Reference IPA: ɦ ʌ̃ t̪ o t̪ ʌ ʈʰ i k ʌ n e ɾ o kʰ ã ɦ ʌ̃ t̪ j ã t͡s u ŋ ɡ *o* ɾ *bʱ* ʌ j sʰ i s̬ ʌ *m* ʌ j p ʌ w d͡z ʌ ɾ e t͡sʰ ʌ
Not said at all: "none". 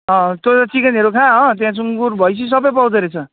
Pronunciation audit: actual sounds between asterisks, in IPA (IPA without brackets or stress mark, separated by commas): u, bʱ, b